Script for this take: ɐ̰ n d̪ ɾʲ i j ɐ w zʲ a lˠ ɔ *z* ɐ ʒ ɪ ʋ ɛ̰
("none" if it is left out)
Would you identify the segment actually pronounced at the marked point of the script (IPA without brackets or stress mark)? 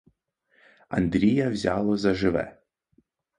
z